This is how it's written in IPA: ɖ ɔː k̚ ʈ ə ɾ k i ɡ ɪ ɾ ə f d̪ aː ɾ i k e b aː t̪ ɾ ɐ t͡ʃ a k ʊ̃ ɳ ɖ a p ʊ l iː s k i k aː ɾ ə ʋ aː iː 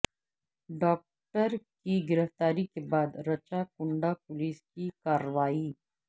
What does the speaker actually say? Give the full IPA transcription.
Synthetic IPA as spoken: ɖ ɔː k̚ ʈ ə ɾ k i ɡ ɪ ɾ ə f t̪ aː ɾ i k e b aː d̪ ɾ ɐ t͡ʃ a k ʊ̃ ɳ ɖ a p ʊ l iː s k i k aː ɾ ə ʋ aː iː